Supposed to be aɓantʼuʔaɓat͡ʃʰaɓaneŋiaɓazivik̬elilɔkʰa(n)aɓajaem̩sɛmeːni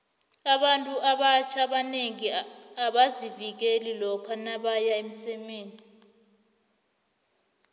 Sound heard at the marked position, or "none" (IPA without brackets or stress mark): n